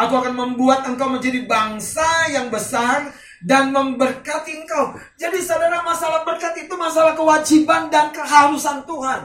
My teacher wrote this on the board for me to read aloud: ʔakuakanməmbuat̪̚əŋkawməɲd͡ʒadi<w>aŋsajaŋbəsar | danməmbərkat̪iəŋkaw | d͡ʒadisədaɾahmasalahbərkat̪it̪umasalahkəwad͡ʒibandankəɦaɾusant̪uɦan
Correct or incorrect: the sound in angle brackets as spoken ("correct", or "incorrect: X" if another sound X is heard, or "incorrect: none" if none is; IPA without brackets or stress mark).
incorrect: b